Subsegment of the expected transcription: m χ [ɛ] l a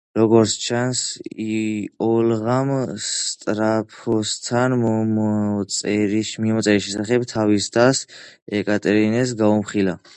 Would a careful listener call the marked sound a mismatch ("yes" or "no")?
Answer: yes